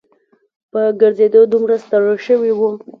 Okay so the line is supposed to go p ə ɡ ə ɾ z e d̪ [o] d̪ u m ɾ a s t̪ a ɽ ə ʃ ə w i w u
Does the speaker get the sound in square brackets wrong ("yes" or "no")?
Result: no